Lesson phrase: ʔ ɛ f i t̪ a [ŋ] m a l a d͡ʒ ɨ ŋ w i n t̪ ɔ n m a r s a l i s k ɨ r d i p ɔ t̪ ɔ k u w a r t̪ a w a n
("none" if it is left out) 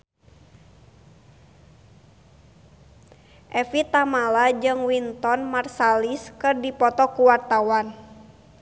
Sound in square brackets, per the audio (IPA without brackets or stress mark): none